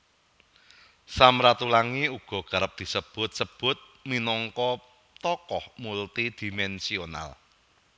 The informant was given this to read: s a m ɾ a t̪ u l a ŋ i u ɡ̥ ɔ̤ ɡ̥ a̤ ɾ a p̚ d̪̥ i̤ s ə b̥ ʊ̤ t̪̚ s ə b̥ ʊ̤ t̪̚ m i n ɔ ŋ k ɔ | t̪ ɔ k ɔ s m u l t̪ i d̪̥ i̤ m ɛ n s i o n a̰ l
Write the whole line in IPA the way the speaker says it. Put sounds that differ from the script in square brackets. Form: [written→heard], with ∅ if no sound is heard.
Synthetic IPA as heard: s a m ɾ a t̪ u l a ŋ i u ɡ̥ ɔ̤ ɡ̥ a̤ ɾ [a→ə] p̚ d̪̥ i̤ s ə b̥ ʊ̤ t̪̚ s ə b̥ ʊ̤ t̪̚ m i n ɔ ŋ k ɔ | t̪ ɔ k ɔ [s→h] m u l t̪ i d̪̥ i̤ m ɛ n s i o n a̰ l